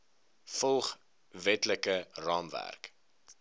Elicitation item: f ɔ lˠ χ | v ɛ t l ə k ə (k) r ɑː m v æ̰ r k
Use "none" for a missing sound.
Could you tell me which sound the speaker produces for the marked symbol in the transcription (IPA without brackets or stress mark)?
none